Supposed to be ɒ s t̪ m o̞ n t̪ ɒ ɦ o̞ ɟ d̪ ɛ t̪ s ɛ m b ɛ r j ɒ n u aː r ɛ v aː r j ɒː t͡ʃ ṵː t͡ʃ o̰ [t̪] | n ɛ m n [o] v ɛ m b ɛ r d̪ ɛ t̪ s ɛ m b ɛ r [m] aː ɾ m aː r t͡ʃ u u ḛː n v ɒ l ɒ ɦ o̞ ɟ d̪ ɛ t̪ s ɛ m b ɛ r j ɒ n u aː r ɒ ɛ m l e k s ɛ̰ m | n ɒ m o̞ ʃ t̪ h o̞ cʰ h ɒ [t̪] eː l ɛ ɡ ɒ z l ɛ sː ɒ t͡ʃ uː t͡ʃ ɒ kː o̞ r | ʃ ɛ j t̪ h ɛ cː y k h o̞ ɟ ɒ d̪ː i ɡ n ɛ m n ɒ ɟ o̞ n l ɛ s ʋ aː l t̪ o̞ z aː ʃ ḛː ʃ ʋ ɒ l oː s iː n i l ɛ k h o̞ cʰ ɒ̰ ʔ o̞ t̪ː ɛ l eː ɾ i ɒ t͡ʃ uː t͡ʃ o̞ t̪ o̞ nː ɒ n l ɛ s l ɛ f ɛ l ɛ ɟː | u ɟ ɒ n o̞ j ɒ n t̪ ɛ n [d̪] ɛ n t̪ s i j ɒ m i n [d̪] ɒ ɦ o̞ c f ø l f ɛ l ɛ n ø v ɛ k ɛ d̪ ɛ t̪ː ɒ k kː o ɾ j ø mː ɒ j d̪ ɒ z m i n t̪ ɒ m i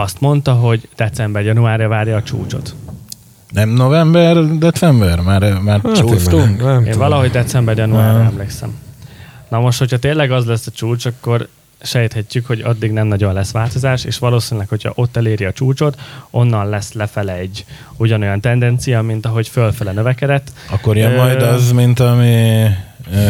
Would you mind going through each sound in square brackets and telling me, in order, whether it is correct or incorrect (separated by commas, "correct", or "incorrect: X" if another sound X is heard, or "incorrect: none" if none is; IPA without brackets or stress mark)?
correct, correct, correct, correct, correct, incorrect: t̪